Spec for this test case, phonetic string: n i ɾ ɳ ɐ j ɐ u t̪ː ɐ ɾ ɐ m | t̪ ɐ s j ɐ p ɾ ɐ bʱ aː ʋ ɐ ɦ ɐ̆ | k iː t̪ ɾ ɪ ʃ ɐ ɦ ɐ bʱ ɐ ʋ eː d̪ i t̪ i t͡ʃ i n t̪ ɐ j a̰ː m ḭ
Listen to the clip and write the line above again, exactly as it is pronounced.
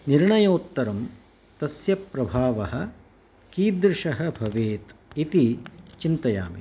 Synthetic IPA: n i ɾ ɳ ɐ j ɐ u t̪ː ɐ ɾ ɐ m | t̪ ɐ s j ɐ p ɾ ɐ bʱ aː ʋ ɐ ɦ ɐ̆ | k iː d̪ ɾ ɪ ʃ ɐ ɦ ɐ bʱ ɐ ʋ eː t̪ i t̪ i t͡ʃ i n t̪ ɐ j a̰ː m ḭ